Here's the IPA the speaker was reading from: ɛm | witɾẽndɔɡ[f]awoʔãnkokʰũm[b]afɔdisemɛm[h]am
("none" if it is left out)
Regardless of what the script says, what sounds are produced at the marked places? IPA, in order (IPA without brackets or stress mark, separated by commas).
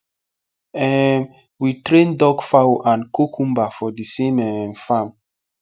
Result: f, b, f